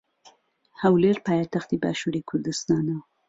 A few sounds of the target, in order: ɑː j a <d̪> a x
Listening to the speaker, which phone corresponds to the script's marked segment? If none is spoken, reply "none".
t̪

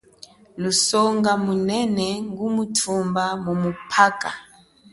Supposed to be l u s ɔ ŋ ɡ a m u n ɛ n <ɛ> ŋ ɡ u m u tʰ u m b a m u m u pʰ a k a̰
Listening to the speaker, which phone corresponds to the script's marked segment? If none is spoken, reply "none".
ɛ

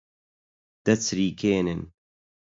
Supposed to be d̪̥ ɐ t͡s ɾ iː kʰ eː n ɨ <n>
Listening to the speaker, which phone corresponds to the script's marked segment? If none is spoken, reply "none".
n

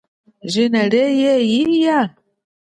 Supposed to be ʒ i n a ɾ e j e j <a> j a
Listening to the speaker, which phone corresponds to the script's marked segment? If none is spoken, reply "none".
i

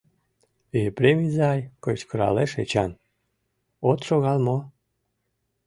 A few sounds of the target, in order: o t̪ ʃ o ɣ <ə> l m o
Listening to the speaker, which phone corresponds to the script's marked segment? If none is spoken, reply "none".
ɑ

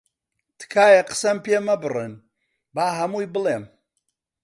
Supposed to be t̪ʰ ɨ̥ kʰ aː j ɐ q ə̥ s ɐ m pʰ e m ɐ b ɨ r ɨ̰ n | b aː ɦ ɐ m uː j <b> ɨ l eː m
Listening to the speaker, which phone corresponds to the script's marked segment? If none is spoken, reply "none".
b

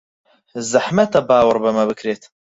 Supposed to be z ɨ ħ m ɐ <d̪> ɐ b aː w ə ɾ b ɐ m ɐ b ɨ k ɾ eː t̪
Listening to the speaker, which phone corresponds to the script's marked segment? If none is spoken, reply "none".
t̪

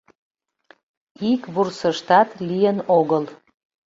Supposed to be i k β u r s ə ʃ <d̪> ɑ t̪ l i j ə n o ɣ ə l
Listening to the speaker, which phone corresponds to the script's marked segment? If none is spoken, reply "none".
t̪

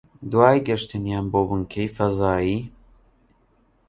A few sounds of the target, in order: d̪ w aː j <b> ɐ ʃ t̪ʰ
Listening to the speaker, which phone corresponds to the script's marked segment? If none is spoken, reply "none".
ɡ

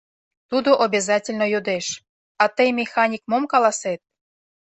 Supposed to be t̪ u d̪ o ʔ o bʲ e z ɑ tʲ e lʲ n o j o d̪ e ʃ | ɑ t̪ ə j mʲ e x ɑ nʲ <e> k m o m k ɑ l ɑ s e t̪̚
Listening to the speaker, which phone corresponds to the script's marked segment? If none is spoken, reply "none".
i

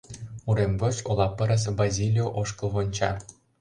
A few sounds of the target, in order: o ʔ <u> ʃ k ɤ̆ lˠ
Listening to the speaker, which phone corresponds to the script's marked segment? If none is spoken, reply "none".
o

